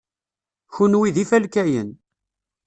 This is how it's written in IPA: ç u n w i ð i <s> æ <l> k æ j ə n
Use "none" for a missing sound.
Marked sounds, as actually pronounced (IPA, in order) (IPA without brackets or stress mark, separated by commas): f, l